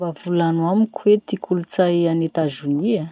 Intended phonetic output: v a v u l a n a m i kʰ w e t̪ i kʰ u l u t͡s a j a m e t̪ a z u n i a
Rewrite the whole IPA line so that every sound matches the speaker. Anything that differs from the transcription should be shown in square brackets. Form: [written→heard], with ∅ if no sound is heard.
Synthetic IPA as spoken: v a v u l a n a m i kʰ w e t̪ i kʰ u l u t͡s a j a [m→n] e t̪ a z u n i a

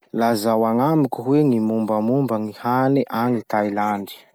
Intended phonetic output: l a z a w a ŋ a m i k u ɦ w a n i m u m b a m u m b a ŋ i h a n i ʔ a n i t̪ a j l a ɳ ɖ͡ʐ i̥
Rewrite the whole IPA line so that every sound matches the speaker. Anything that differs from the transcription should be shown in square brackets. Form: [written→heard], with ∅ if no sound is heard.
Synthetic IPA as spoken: l a z a w a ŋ a m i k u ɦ w [a→e] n i m u m b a m u m b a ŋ i h a n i ʔ a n i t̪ a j l a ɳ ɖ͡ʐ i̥

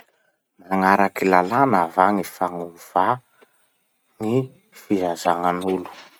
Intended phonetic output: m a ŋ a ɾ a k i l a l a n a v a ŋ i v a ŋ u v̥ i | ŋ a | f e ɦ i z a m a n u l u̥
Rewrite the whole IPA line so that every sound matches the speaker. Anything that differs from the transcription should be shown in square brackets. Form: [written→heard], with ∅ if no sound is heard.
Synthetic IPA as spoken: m a ŋ a ɾ a k i l a l a n a v a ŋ i [v→f] a ŋ u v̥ [i→a] | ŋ [a→i] | f [e→i] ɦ [i→a] z a [m→ŋ] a n u l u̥

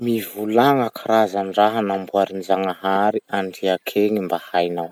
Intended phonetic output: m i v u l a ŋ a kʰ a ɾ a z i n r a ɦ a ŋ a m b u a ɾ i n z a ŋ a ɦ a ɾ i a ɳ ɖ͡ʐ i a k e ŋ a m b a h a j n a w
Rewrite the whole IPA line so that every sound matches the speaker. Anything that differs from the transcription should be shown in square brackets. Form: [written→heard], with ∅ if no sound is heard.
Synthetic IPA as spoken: m i v u l a ŋ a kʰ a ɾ a z [i→a] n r a ɦ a [ŋ→n] a m b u a ɾ i n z a ŋ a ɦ a ɾ i a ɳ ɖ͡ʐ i a [k→kʰ] e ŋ [a→i] m b a h a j n a w

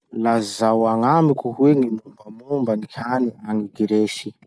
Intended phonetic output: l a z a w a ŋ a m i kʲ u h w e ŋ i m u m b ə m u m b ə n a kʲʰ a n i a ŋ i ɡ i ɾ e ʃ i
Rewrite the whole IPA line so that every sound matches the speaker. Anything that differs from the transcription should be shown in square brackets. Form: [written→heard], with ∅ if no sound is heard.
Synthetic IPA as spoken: l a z a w a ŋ a m i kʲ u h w e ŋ i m u m b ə m u m b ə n [a→i] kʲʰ a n i a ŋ i ɡ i ɾ e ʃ i

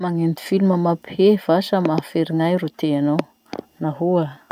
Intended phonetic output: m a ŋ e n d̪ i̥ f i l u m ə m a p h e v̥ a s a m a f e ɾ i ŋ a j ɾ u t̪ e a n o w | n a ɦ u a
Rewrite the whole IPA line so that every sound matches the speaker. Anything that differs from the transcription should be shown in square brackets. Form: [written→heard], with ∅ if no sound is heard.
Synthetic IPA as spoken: m a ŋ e n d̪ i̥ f i l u m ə m a p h e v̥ a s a m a f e ɾ i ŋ a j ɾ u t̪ e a n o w | n a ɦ u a

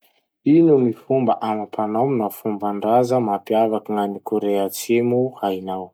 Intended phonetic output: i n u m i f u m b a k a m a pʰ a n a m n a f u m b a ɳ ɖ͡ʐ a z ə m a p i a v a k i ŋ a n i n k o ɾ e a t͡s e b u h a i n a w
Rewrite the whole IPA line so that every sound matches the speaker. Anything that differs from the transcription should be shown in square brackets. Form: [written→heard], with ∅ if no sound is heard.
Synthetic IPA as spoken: i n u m i f u m b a [k→ʔ] a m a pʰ a n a m n a f u m b a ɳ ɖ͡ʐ a z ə m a p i a v a k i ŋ a n i [n→∅] k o ɾ e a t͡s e [b→m] u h a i n a w

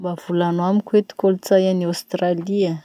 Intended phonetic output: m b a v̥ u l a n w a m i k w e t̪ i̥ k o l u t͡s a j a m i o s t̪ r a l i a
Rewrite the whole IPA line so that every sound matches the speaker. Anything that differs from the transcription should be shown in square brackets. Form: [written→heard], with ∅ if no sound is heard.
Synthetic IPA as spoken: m b a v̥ u l a n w a m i k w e t̪ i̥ k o l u t͡s a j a [m→n] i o s t̪ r a l i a

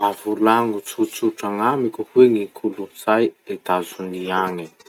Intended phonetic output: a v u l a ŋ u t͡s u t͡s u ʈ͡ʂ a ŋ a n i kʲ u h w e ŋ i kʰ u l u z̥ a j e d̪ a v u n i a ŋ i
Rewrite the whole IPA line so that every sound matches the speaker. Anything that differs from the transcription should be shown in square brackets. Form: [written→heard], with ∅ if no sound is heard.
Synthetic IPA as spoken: a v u l a ŋ u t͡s u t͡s u ʈ͡ʂ a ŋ a [n→m] i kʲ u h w e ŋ i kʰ u l u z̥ a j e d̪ a [v→z] u n i a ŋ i

